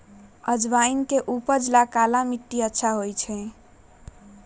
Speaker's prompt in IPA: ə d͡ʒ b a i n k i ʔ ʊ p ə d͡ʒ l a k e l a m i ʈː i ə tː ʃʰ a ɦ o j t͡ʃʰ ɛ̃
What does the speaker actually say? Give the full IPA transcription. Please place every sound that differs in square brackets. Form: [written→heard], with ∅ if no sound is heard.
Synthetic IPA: ə d͡ʒ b a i n k [i→e] ʔ [ʊ→u] p ə d͡ʒ l a k [e→a] l a m i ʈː i ə tː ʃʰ a ɦ o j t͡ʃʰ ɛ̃

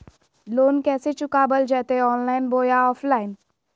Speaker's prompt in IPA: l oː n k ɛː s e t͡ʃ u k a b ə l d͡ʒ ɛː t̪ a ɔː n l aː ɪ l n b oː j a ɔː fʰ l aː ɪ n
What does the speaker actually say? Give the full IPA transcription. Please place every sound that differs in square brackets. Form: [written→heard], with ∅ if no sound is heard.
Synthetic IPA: l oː n k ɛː s e t͡ʃ [u→ʊ] k a b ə l d͡ʒ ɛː t̪ [a→e] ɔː n l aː ɪ [l→∅] n b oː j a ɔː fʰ l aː ɪ n

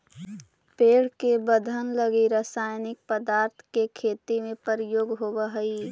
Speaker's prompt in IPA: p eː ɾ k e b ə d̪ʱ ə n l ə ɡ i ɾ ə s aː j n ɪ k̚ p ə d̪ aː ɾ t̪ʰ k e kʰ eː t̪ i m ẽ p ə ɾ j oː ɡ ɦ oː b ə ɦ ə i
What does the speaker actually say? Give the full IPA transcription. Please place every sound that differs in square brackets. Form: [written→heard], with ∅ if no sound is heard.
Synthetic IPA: p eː [ɾ→ɽ] k e b ə d̪ʱ ə n l ə ɡ i ɾ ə s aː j n ɪ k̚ p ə d̪ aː ɾ t̪ʰ k e kʰ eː t̪ i m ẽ p ə ɾ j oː ɡ ɦ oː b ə ɦ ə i

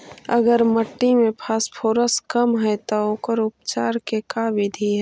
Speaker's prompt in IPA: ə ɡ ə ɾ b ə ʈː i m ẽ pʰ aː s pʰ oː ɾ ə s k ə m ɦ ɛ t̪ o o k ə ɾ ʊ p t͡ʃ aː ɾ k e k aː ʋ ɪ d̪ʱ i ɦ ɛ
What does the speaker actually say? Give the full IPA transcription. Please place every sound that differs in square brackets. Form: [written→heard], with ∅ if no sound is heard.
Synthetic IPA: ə ɡ ə ɾ [b→m] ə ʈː i m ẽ pʰ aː s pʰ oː ɾ ə s k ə m ɦ ɛ t̪ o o k ə ɾ ʊ p t͡ʃ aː ɾ k e k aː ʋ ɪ d̪ʱ i ɦ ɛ

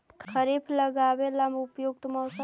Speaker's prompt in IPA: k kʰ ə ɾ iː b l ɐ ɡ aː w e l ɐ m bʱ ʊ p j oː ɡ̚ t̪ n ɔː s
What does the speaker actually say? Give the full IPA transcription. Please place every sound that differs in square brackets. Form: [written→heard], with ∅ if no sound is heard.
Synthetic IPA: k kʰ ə ɾ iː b l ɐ ɡ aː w e l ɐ m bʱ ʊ p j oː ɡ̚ t̪ [n→m] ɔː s

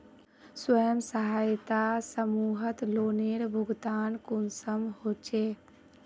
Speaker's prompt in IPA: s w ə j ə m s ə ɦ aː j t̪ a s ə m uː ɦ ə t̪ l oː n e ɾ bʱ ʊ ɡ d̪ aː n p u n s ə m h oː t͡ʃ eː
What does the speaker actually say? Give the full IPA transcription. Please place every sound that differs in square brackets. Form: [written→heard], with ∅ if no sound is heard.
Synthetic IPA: s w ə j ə m s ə ɦ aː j t̪ a s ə m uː ɦ ə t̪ l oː n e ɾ bʱ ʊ ɡ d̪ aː n [p→k] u n s ə m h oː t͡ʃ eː

